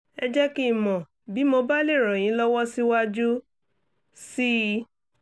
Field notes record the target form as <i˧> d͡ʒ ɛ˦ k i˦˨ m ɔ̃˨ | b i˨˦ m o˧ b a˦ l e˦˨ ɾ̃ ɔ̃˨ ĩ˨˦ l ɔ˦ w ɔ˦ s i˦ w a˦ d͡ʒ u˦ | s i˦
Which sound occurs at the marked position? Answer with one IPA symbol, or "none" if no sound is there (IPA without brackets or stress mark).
ɛ˧